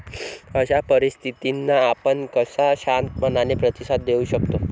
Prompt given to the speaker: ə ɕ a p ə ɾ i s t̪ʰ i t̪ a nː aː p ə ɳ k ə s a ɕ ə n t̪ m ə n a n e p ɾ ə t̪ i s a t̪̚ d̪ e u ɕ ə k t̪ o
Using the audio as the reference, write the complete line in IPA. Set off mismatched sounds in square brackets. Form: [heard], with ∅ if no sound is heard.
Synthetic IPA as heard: ə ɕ a p ə ɾ i s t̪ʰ i t̪ [i] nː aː p ə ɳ k ə s a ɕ [a] n t̪ m ə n a n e p ɾ ə t̪ i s a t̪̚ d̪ e u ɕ ə k t̪ o